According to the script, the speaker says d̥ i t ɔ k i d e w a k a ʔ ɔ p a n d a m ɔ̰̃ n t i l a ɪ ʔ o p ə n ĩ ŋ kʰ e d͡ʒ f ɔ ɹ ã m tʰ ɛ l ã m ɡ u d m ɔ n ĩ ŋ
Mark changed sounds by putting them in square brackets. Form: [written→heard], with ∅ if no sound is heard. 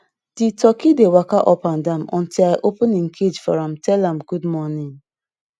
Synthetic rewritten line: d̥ i t ɔ k i d e w a k a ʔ ɔ p a n d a m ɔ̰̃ n t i l a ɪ ʔ o p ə n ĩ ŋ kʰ e d͡ʒ f ɔ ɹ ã m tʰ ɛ l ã m ɡ u d m ɔ n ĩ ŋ